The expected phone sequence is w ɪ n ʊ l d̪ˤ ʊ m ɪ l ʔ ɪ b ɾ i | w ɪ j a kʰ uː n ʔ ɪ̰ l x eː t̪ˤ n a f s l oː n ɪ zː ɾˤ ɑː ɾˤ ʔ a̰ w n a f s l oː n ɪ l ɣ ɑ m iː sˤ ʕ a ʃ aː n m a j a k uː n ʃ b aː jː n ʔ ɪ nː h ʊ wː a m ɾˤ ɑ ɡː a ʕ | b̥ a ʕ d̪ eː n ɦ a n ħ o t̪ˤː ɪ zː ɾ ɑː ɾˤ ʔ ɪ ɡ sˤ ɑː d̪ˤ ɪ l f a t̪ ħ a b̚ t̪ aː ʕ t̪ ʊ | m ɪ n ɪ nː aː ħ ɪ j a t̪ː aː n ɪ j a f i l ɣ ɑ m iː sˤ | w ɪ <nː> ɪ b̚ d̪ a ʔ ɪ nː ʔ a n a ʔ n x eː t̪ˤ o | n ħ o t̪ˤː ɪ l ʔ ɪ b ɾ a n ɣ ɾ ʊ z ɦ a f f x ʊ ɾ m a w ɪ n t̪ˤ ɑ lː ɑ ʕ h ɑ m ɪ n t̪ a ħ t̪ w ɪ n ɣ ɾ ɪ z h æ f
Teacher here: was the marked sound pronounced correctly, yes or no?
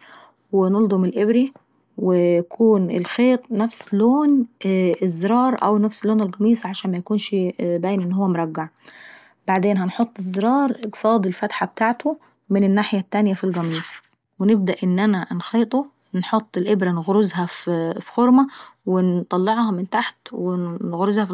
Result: no